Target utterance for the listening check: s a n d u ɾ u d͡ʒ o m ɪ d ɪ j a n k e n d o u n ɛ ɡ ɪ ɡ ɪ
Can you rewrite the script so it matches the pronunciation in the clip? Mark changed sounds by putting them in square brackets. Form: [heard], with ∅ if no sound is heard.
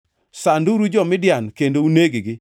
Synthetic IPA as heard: s a n d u ɾ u d͡ʒ [ɔ] m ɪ d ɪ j a n k e n d o u n [e] ɡ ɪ ɡ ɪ